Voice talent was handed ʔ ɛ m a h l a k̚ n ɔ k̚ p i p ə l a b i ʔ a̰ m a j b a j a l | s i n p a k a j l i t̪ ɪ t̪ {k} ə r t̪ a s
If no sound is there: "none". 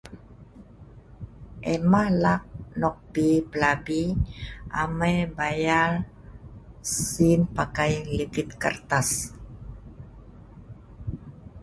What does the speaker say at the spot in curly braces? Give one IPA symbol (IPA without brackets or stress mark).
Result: k